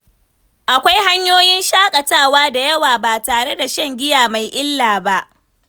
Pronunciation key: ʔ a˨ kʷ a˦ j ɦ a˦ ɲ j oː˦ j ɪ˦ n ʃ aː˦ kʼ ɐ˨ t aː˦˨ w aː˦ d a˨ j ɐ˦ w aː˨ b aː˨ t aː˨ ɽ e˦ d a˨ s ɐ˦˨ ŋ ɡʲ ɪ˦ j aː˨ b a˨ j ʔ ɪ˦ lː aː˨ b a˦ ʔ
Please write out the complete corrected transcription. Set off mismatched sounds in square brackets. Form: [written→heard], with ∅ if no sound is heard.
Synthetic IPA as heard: ʔ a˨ kʷ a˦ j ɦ a˦ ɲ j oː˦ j ɪ˦ n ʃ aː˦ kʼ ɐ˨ t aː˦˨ w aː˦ d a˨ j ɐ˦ w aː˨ b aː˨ t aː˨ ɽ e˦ d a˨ [s→ʃ] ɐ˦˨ ŋ ɡʲ ɪ˦ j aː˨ [b→m] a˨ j ʔ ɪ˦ lː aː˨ b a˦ ʔ

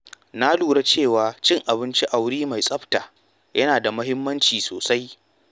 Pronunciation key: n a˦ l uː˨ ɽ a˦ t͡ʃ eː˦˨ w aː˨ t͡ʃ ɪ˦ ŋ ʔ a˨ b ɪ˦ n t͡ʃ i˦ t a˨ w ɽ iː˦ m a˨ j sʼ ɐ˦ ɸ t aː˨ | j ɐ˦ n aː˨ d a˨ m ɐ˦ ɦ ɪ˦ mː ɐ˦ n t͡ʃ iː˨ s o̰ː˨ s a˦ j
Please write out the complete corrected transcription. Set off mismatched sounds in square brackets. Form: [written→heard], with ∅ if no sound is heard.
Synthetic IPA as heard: n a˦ l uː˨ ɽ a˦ t͡ʃ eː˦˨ w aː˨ t͡ʃ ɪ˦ ŋ ʔ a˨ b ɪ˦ n t͡ʃ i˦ [t→ʔ] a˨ w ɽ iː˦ m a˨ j sʼ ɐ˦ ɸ t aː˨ | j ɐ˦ n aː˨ d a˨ m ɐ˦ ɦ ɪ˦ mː ɐ˦ n t͡ʃ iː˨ s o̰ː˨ s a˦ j

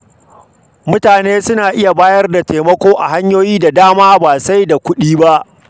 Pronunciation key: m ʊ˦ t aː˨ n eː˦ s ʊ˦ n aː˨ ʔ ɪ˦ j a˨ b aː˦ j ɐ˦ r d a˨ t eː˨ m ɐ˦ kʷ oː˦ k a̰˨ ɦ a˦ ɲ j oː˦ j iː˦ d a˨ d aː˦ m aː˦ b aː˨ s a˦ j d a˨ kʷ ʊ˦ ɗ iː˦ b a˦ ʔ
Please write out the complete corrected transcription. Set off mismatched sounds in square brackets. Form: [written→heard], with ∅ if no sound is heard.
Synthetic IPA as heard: m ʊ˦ t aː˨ n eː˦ s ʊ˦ n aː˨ ʔ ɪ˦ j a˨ b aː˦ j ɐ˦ r d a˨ t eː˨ m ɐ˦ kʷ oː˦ [k→ʔ] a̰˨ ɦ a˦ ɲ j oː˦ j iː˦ d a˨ d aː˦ m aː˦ b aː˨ s a˦ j d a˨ kʷ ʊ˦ ɗ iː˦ b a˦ ʔ

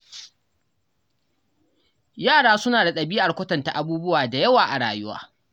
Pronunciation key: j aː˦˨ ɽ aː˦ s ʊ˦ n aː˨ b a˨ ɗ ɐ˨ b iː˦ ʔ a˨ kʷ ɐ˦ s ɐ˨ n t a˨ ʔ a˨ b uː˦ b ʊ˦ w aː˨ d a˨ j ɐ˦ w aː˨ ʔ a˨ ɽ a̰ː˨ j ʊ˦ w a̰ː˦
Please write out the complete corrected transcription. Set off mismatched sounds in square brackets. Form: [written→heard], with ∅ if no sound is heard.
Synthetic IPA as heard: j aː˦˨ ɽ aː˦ s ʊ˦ n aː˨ [b→d] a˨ ɗ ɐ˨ b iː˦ ʔ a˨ kʷ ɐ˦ [s→t] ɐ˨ n t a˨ ʔ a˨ b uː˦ b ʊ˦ w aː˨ d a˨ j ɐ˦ w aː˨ ʔ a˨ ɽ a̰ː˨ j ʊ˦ w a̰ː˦

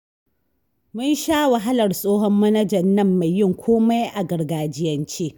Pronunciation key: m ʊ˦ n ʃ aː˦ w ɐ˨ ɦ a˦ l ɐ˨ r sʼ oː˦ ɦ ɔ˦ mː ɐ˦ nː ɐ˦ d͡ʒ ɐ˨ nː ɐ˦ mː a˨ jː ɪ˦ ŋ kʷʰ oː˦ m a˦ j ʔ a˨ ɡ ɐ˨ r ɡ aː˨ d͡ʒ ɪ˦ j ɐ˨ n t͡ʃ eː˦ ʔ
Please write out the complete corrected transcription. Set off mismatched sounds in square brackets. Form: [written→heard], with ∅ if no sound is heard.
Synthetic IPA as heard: m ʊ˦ n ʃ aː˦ w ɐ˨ ɦ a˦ l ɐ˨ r sʼ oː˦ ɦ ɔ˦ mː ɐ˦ [nː→n] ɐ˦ d͡ʒ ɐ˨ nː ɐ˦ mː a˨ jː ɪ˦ ŋ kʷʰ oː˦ m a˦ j ʔ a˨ ɡ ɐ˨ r ɡ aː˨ d͡ʒ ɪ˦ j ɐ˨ n t͡ʃ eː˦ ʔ

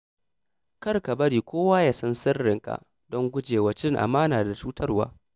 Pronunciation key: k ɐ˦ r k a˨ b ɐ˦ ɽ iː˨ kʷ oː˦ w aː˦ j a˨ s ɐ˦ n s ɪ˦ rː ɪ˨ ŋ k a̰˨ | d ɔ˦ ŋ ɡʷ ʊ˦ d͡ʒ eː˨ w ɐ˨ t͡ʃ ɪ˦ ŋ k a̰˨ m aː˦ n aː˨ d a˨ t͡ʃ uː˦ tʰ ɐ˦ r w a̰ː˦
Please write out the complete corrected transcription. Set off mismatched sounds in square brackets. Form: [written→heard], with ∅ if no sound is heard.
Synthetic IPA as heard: k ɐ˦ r k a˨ b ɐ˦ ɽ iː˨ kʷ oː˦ w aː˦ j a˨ s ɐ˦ n s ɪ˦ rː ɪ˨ ŋ k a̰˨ | d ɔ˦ ŋ ɡʷ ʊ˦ d͡ʒ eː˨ w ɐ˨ t͡ʃ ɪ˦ ŋ [k→ʔ] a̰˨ m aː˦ n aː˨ d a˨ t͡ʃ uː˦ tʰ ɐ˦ r w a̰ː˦

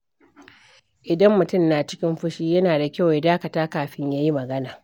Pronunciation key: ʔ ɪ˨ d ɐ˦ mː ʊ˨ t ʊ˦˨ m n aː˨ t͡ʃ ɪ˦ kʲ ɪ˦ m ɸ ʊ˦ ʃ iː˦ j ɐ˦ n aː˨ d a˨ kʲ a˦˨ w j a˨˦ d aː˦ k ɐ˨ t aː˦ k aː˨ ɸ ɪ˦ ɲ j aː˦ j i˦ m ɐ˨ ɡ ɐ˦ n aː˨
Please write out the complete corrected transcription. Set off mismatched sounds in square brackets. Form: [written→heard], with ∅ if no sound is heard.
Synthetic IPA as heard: ʔ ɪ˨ d ɐ˦ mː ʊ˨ t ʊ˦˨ m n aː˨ t͡ʃ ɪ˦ kʲ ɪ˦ m ɸ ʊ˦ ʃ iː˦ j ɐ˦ n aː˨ d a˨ kʲ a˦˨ w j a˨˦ d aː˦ k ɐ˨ t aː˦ k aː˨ ɸ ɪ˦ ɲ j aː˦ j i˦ m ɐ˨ ɡ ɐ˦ n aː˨

